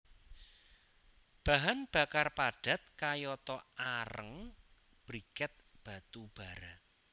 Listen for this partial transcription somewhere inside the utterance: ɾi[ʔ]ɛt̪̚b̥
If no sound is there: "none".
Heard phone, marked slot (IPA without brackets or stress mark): k